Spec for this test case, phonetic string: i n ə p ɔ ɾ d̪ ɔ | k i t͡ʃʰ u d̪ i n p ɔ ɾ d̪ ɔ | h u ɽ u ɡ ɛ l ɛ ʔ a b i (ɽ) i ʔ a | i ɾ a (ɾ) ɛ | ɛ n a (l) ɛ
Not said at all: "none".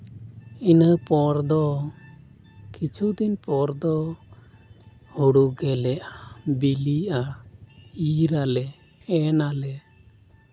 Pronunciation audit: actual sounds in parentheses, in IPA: l, l, l

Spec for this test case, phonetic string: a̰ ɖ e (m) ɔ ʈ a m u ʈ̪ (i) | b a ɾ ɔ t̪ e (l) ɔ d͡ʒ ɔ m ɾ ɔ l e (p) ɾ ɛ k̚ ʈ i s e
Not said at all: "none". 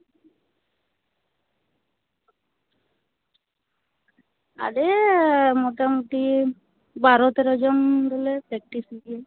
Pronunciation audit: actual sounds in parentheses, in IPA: m, i, ɾ, p

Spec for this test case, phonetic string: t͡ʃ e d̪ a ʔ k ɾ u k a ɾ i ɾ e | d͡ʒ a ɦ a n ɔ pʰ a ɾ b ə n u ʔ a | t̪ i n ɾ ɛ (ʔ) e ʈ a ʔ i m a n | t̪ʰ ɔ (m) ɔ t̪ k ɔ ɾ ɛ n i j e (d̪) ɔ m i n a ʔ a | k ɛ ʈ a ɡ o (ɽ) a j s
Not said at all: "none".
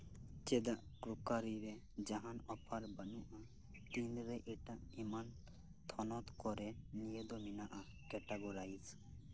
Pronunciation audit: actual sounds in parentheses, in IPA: ʔ, n, d̪, ɾ

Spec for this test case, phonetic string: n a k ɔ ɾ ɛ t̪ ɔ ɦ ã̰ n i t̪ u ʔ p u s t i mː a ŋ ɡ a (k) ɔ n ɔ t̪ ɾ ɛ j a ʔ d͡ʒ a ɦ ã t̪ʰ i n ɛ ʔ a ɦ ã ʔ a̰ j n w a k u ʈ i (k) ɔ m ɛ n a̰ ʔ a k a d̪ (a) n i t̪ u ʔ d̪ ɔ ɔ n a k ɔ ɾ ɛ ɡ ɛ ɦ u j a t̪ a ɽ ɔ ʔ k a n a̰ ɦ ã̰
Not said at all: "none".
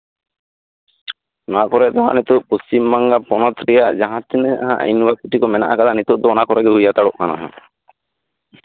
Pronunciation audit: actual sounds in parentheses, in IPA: p, k, a

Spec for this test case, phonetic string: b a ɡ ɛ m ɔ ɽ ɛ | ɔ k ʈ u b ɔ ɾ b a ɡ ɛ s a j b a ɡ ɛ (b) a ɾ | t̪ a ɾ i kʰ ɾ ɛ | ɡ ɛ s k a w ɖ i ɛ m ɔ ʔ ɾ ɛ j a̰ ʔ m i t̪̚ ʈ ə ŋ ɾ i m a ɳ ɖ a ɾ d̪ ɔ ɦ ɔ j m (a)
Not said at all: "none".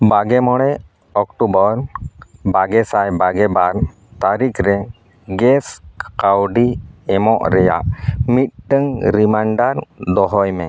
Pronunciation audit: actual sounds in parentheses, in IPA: b, ɛ

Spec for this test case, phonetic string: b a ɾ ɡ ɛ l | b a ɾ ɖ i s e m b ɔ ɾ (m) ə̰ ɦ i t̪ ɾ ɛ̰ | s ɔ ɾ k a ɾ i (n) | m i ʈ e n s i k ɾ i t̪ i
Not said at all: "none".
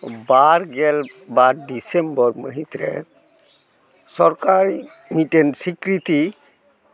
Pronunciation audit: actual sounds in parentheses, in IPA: m, none

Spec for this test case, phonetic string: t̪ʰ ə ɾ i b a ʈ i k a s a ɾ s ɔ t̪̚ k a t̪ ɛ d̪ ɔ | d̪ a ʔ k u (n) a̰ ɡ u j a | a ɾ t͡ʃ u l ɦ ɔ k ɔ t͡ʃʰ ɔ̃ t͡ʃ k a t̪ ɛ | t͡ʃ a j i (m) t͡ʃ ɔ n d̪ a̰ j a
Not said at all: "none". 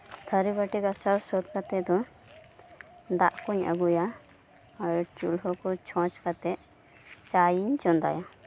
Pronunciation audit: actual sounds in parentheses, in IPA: ɲ, ɲ

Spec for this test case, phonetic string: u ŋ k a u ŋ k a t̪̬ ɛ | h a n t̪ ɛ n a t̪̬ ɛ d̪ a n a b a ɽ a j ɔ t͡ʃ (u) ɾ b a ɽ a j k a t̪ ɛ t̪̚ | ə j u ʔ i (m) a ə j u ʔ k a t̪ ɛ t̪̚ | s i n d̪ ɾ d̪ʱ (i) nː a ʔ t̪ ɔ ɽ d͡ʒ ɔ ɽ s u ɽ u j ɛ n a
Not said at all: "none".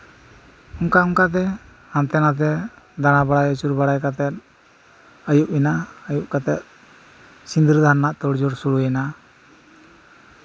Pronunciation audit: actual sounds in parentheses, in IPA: u, n, a

